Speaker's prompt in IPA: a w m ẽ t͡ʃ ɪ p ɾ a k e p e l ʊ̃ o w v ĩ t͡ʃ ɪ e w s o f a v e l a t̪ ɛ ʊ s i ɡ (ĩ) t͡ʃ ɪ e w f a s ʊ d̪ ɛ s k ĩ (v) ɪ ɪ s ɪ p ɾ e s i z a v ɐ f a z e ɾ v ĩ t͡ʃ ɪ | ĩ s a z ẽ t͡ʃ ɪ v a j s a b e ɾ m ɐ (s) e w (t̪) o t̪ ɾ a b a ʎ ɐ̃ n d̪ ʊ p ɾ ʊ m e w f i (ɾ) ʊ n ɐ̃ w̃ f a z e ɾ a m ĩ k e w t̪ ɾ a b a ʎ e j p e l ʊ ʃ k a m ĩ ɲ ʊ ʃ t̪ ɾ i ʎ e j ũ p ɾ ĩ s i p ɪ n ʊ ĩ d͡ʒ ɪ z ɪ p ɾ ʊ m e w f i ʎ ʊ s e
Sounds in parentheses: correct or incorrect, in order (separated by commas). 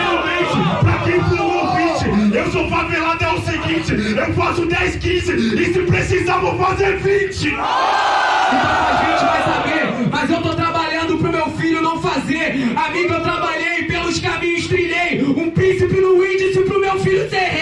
correct, incorrect, incorrect, correct, incorrect